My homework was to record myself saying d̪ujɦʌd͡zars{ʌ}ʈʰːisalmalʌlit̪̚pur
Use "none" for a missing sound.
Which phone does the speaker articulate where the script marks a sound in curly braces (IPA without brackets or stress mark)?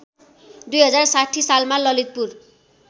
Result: a